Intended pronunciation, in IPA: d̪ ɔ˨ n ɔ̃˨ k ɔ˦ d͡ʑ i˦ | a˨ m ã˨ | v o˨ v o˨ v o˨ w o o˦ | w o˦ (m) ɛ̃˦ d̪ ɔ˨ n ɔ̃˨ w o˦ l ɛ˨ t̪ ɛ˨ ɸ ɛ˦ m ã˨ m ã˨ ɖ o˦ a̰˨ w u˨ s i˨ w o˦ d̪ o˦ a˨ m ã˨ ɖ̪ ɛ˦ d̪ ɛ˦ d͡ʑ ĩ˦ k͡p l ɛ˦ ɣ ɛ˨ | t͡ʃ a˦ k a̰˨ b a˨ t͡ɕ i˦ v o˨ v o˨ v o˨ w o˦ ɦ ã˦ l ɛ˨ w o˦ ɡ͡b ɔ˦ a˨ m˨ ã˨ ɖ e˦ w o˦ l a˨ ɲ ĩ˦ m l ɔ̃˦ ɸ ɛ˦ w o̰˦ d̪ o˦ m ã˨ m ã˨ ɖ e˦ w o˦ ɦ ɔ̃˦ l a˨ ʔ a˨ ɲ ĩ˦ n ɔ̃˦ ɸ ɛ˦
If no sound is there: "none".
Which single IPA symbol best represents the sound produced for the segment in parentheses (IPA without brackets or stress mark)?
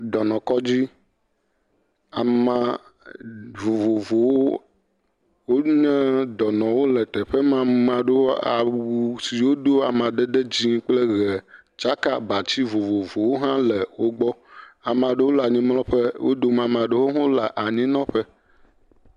ɲ